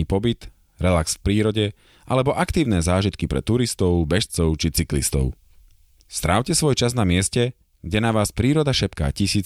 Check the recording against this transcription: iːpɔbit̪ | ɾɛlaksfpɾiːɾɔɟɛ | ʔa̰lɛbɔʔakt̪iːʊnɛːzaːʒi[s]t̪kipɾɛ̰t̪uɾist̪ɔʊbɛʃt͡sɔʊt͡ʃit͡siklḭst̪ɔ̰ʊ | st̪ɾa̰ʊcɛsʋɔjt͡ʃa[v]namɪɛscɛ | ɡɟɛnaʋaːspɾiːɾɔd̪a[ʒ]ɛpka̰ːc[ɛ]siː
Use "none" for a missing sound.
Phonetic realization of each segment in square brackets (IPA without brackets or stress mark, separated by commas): none, z, ʃ, i